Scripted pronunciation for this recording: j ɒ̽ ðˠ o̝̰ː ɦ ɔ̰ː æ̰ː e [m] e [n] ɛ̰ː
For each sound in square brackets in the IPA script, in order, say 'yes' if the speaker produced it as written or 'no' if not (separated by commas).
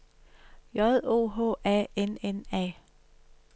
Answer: no, yes